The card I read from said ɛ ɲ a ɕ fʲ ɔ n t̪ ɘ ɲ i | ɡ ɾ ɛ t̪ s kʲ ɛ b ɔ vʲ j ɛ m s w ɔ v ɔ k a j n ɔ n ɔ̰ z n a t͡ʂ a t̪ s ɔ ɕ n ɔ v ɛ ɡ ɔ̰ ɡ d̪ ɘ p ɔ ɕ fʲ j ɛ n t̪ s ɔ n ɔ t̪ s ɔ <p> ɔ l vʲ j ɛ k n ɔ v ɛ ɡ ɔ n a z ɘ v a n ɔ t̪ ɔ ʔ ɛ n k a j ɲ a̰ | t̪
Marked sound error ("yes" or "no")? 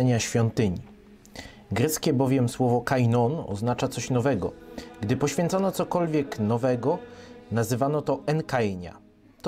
yes